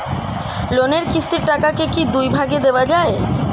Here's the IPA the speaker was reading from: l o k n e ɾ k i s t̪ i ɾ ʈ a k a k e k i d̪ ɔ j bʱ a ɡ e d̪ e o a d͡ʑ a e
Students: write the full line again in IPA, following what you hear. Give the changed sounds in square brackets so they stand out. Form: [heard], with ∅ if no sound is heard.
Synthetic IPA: l o [∅] n e ɾ k i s t̪ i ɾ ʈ a k a k e k i d̪ [u] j bʱ a ɡ e d̪ e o a d͡ʑ a e

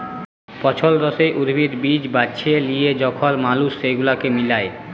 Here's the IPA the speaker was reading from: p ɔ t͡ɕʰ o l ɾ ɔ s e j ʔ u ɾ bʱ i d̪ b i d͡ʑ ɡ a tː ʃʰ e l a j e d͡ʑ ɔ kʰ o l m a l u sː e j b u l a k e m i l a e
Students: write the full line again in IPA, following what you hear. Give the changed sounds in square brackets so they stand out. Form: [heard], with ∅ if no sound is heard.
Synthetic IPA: p ɔ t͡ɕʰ o l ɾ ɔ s e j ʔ u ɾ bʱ i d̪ b i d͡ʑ [b] a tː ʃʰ e l [i] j e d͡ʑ ɔ kʰ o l m a l u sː e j [ɡ] u l a k e m i l a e

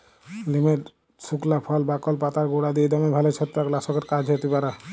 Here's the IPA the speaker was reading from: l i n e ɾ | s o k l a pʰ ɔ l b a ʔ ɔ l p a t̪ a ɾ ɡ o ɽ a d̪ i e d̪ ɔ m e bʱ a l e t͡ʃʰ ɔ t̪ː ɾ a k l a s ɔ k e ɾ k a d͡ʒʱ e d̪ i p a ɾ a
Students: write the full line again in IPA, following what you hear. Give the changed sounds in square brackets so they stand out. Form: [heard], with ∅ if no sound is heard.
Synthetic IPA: l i [m] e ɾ | s [u] k l a pʰ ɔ l b a [k] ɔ l p a t̪ a ɾ ɡ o ɽ a d̪ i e d̪ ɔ m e bʱ a l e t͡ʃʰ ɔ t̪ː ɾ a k l a s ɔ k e ɾ k a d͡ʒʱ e [t̪] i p a ɾ a

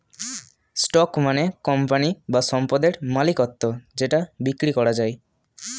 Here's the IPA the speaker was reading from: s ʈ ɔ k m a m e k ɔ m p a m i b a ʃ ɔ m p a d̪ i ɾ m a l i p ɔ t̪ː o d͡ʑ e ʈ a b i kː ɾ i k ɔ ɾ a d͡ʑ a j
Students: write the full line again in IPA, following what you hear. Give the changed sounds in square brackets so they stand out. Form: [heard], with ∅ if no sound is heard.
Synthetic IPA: s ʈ ɔ k m a [n] e k ɔ m p a [n] i b a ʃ ɔ m p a d̪ [e] ɾ m a l i [k] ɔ t̪ː o d͡ʑ e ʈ a b i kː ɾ i k ɔ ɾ a d͡ʑ a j

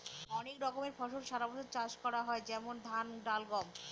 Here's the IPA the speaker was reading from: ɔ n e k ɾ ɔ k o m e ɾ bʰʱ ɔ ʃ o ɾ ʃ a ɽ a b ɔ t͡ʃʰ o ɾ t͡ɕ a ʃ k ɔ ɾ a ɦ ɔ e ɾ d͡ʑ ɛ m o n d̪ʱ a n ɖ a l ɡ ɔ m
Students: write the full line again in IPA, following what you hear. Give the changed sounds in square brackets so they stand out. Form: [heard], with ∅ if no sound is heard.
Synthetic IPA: ɔ n e k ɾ ɔ k o m e ɾ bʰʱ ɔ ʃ o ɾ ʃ a [ɾ] a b ɔ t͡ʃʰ o ɾ t͡ɕ a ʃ k ɔ ɾ a ɦ ɔ e [∅] d͡ʑ ɛ m o n d̪ʱ a n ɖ a l ɡ ɔ m

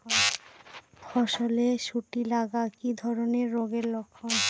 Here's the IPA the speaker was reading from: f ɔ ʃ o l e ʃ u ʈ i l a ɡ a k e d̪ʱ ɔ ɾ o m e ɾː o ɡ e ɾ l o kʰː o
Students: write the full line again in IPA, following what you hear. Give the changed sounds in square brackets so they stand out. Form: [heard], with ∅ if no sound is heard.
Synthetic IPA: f ɔ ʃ o l e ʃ u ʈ i l a ɡ a k [i] d̪ʱ ɔ ɾ o [n] e ɾː o ɡ e ɾ l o kʰː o

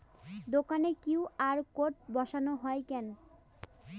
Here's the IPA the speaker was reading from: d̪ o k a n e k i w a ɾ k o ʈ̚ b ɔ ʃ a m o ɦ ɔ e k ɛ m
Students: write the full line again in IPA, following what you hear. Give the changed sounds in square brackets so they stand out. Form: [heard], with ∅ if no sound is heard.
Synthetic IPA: d̪ o k a n e k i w a ɾ k o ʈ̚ b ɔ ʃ a [n] o ɦ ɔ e k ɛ [n]

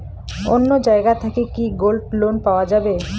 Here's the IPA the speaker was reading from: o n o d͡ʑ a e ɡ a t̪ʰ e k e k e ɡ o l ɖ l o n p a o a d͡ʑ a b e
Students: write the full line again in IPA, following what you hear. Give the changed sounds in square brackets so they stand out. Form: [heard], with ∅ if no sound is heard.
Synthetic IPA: o [nː] o d͡ʑ a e ɡ a t̪ʰ [a] k e k [i] ɡ o l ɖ l o n p a o a d͡ʑ a b e

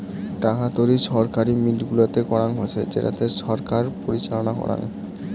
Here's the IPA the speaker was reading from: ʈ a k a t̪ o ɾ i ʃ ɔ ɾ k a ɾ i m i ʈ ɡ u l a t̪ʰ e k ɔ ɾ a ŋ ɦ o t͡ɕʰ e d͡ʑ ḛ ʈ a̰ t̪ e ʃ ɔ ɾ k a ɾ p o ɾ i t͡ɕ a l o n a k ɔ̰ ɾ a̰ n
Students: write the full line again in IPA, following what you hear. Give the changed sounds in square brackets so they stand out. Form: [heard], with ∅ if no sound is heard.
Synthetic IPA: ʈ a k a t̪ o ɾ i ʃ ɔ ɾ k a ɾ i m i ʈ ɡ u l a [t̪] e k ɔ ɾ a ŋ ɦ o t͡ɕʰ e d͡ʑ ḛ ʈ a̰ t̪ e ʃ ɔ ɾ k a ɾ p o ɾ i t͡ɕ a l o n a k ɔ̰ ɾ a̰ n

